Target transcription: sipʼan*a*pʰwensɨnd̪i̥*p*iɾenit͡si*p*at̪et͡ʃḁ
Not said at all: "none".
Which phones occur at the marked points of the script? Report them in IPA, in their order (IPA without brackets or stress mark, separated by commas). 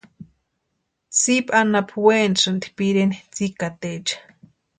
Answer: a, p, k